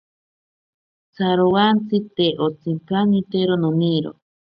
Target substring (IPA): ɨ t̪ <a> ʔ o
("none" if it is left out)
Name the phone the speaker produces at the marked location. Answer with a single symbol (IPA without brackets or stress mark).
e